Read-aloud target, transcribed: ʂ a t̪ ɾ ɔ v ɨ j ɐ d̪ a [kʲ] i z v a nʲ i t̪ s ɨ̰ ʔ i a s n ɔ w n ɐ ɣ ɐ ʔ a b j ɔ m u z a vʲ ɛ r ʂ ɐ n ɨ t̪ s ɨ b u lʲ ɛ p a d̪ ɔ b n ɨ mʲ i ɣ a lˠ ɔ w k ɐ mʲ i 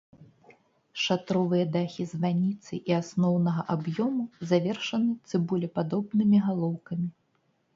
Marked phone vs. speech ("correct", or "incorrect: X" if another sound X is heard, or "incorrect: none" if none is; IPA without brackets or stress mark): incorrect: xʲ